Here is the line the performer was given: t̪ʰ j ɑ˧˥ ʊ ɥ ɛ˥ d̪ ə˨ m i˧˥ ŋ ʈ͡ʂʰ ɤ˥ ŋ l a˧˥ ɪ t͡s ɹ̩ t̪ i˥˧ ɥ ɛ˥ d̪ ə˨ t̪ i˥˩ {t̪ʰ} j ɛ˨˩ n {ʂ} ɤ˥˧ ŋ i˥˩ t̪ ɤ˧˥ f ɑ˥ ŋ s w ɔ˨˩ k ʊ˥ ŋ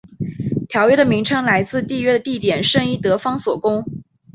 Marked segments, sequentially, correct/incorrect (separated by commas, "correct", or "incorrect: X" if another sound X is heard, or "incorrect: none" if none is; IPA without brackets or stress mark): incorrect: t̪, correct